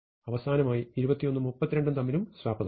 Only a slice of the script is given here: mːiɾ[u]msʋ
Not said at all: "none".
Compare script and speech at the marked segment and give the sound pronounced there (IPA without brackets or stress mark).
u